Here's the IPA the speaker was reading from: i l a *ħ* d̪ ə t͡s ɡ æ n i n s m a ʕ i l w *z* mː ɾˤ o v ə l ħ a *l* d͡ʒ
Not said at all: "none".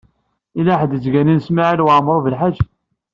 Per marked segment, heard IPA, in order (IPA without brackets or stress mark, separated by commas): ħ, ʕ, none